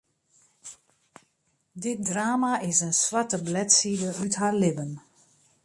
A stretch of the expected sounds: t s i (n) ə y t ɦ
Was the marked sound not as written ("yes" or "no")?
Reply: yes